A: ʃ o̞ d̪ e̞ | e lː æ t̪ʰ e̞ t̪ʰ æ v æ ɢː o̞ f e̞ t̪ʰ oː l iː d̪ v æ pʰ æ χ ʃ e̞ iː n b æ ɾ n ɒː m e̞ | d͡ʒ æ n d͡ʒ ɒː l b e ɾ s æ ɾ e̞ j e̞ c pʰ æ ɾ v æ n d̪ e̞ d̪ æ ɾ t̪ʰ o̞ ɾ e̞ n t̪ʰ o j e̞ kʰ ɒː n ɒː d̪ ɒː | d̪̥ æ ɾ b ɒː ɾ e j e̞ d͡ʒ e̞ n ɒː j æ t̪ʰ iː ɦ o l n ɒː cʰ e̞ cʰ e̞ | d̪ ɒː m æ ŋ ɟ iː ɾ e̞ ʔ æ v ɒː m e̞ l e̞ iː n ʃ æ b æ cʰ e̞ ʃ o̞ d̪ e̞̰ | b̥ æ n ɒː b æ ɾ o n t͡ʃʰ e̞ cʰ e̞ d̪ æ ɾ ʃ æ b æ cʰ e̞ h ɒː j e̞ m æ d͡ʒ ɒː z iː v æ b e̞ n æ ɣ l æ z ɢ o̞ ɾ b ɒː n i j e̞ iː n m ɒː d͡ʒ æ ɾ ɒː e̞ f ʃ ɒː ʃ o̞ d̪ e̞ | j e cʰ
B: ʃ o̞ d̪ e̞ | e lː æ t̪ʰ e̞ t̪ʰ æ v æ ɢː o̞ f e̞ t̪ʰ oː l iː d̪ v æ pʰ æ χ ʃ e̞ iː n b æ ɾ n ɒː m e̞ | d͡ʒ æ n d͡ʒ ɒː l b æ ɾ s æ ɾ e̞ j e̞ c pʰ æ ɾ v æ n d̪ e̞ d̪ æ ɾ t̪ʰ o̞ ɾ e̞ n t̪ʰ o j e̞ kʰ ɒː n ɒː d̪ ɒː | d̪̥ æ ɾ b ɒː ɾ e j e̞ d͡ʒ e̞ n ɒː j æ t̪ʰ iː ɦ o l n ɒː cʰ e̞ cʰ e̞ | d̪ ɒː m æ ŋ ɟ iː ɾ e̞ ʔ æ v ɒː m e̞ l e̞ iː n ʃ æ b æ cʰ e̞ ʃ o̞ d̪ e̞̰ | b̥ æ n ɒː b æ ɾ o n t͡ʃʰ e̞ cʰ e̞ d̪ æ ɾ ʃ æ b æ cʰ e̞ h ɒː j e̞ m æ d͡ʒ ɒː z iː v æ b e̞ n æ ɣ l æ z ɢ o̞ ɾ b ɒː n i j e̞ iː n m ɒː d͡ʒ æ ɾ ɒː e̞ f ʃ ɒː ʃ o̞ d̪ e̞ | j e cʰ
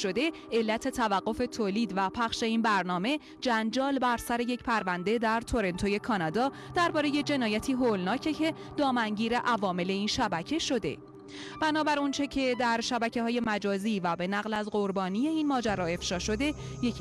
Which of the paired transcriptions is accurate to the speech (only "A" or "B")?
B